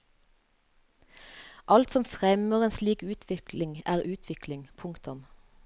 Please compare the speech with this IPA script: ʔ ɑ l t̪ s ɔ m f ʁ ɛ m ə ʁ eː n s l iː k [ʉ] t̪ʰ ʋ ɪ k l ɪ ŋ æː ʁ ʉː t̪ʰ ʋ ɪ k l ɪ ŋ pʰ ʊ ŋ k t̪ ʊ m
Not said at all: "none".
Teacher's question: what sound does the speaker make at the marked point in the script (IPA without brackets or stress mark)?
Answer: ʉː